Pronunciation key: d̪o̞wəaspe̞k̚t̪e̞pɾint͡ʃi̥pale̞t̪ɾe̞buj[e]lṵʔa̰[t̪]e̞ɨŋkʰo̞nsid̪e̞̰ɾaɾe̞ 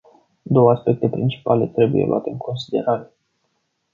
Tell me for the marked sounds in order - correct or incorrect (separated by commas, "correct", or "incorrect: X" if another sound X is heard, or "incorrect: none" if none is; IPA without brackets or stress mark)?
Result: correct, correct